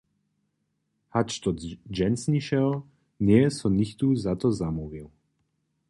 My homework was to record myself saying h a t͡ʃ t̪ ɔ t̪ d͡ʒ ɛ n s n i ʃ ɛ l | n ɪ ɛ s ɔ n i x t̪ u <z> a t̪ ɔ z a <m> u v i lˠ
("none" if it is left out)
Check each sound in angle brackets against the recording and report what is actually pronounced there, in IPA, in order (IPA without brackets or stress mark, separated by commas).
z, m